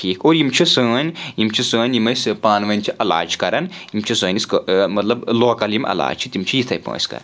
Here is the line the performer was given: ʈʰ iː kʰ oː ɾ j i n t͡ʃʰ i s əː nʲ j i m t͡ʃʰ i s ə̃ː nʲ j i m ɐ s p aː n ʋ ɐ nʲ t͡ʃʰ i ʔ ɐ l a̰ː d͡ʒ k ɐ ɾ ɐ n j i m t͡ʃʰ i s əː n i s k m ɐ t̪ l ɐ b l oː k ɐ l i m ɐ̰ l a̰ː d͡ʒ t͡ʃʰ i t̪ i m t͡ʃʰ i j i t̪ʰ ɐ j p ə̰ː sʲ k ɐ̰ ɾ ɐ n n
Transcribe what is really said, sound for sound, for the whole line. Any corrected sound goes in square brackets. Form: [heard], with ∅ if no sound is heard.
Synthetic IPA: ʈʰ iː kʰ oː ɾ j i [m] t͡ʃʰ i s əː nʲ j i m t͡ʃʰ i s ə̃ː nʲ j i m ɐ s p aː n ʋ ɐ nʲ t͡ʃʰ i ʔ ɐ l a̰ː d͡ʒ k ɐ ɾ ɐ n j i m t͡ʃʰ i s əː n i s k m ɐ t̪ l ɐ b l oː k ɐ l i m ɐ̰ l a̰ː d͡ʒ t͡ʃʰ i t̪ i m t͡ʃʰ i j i t̪ʰ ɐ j p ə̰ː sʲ k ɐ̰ ɾ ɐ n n

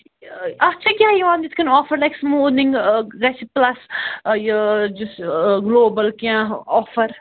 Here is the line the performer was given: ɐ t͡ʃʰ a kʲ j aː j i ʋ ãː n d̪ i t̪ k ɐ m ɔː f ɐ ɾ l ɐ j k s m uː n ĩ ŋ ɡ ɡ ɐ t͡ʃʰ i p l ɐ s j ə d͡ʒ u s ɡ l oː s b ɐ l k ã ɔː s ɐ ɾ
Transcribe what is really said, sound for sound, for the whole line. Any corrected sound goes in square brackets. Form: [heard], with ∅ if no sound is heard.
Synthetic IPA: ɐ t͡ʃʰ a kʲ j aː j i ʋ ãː n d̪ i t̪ k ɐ [n] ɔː f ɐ ɾ l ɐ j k s m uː n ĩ ŋ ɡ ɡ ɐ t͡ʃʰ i p l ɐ s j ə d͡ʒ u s ɡ l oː [∅] b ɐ l k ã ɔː [f] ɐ ɾ

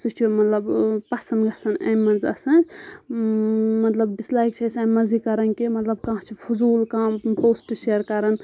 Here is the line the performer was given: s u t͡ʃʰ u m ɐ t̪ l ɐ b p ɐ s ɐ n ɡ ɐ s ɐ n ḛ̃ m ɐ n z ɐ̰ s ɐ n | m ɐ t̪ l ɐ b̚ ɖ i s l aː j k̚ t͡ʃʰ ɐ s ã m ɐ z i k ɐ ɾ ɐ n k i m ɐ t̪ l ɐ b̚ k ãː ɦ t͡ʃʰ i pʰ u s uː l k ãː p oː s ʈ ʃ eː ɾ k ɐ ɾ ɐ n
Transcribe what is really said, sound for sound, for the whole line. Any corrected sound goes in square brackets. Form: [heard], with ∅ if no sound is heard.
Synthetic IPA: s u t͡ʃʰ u m ɐ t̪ l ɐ b p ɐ s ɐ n ɡ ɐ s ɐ n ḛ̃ m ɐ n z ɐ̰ s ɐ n | m ɐ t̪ l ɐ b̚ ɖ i s l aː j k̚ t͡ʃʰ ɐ s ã m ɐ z i k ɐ ɾ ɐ n k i m ɐ t̪ l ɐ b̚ k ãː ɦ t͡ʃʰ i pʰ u [z] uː l k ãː p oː s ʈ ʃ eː ɾ k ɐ ɾ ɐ n

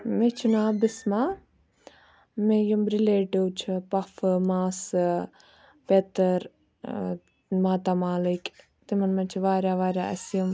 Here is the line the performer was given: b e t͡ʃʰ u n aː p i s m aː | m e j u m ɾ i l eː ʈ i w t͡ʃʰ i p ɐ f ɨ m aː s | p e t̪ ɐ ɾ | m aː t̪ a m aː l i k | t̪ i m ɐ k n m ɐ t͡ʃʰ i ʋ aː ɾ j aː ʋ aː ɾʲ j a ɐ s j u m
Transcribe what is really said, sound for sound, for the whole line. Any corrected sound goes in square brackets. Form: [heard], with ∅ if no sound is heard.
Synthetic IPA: [m] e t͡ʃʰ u n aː [b] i s m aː | m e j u m ɾ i l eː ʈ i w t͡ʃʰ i p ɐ f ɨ m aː s | p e t̪ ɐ ɾ | m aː t̪ a m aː l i k | t̪ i m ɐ [∅] n m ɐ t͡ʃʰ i ʋ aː ɾ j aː ʋ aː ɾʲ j a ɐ s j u m

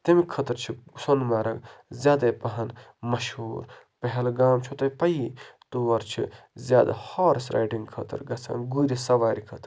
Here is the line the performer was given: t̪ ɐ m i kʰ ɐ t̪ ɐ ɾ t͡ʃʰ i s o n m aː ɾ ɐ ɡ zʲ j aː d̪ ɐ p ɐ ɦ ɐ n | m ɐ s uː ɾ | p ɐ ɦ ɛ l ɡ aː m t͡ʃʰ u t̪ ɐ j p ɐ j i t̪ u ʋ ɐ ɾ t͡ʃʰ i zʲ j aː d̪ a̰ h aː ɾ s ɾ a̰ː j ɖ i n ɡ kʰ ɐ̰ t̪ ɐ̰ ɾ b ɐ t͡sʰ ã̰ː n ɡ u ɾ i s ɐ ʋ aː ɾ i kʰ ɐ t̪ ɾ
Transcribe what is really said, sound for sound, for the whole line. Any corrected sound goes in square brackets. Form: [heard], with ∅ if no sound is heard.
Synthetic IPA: t̪ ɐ m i kʰ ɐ t̪ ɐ ɾ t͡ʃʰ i s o n m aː ɾ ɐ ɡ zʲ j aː d̪ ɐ p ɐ ɦ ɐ n | m ɐ [ʃ] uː ɾ | p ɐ ɦ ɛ l ɡ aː m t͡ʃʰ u t̪ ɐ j p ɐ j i t̪ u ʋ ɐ ɾ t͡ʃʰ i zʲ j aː d̪ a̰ h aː ɾ s ɾ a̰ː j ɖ i [ŋ] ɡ kʰ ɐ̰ t̪ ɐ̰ ɾ [ɡ] ɐ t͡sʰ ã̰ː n ɡ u ɾ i s ɐ ʋ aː ɾ i kʰ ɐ t̪ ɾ

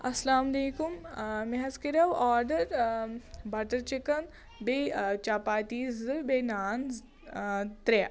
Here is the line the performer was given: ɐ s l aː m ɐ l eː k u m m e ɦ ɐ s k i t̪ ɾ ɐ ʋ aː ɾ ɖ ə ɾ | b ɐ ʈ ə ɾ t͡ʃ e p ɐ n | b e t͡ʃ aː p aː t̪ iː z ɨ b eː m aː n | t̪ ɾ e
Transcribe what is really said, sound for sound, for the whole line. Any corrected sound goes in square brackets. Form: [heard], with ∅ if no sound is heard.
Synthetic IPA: ɐ s l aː m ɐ l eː k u m m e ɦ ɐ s k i [∅] ɾ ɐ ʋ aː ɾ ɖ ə ɾ | b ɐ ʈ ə ɾ t͡ʃ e [k] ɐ n | b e t͡ʃ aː p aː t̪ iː z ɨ b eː [n] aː n | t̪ ɾ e

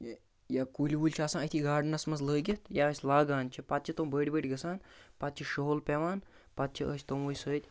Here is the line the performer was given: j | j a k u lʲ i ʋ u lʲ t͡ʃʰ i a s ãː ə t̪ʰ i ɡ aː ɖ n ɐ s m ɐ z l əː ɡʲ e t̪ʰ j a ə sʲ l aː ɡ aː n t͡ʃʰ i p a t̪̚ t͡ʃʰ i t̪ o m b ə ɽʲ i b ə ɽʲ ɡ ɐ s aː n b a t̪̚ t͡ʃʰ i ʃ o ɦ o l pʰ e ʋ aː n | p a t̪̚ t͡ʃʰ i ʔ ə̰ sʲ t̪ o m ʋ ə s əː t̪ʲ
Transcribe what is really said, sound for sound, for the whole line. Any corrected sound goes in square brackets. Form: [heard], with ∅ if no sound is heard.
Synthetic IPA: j | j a k u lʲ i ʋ u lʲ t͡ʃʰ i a s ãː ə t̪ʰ i ɡ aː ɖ n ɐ s m ɐ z l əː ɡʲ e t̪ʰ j a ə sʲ l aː ɡ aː n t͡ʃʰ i p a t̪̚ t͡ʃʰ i t̪ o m b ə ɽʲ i b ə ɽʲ ɡ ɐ s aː n [p] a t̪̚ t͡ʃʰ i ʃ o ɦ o l [p] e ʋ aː n | p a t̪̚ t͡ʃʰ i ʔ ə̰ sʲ t̪ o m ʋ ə s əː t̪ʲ

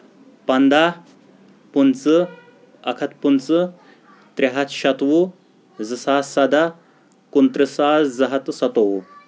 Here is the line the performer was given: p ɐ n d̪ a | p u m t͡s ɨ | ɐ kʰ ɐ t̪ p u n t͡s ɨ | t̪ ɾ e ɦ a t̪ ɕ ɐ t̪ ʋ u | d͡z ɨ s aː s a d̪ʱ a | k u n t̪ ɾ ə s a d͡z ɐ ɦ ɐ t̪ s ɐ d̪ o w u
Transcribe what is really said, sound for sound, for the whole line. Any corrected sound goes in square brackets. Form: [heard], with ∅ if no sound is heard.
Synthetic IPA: p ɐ n d̪ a | p u [n] t͡s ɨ | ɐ kʰ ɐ t̪ p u n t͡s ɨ | t̪ ɾ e ɦ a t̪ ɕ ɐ t̪ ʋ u | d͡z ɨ s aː s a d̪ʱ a | k u n t̪ ɾ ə s a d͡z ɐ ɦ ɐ t̪ s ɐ [t̪] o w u

